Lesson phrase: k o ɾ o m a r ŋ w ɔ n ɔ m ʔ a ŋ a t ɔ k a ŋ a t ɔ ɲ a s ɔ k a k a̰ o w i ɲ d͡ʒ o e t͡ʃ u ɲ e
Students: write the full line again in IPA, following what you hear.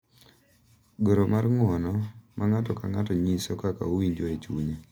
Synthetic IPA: ɡ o ɾ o m a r ŋ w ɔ n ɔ m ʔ a ŋ a t ɔ k a ŋ a t ɔ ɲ i s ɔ k a k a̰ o w i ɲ d͡ʒ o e t͡ʃ u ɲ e